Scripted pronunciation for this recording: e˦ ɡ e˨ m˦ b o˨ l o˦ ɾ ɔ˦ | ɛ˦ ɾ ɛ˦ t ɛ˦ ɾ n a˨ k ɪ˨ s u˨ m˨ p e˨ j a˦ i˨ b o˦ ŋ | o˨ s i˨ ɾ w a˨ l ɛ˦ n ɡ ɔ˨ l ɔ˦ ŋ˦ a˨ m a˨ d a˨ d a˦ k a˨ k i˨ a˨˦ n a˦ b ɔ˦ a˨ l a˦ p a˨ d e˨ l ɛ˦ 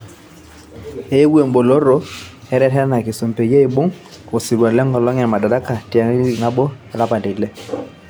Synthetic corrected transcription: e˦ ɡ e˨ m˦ b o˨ l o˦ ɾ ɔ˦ | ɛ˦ ɾ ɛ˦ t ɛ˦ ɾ n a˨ k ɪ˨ s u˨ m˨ p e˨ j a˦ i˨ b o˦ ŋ | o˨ s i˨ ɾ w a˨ l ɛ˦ ŋ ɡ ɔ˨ l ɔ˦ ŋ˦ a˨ m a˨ d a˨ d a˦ k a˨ t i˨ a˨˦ n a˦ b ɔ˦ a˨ l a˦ p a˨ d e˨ l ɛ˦